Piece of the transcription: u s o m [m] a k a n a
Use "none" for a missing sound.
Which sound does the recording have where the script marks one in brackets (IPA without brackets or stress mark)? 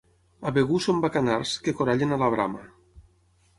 b